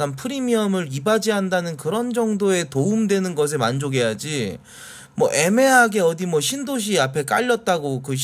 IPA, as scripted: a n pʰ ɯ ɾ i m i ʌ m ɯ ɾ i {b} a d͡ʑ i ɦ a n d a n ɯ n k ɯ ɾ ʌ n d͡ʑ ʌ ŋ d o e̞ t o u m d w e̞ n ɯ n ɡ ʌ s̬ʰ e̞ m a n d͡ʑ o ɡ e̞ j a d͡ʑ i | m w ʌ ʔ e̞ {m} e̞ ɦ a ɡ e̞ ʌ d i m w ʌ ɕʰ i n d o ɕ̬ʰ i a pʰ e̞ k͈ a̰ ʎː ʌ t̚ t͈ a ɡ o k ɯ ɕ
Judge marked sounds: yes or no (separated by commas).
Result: yes, yes